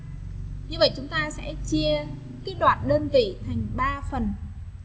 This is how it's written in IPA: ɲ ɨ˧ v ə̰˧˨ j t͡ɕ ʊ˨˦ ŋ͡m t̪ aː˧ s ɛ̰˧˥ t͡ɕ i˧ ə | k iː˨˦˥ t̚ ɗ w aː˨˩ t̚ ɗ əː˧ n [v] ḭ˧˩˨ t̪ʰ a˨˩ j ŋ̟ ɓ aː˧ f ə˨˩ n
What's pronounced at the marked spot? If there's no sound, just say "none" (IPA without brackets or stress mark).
v